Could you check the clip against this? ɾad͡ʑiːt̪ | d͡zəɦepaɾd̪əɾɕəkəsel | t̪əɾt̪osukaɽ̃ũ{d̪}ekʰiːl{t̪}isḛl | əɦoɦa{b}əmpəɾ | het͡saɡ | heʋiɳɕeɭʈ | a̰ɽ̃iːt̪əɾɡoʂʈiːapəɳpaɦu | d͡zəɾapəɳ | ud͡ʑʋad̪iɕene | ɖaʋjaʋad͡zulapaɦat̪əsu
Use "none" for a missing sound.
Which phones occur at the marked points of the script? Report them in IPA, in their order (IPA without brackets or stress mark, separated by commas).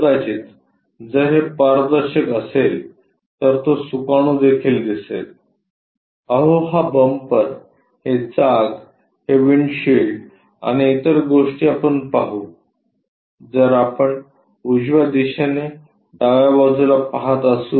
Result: d̪, d̪, b